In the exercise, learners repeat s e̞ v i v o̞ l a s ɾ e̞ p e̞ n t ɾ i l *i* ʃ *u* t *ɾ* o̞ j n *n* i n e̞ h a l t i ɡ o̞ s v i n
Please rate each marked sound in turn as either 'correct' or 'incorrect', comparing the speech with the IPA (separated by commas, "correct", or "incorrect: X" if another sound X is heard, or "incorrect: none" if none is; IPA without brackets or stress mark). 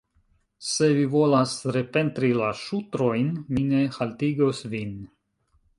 incorrect: a, correct, correct, incorrect: m